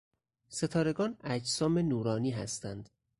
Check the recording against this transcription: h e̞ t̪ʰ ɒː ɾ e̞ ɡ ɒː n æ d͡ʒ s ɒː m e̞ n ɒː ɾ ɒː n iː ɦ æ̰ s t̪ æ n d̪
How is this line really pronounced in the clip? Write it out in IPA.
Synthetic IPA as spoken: s e̞ t̪ʰ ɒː ɾ e̞ ɡ ɒː n æ d͡ʒ s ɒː m e̞ n uː ɾ ɒː n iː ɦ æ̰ s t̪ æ n d̪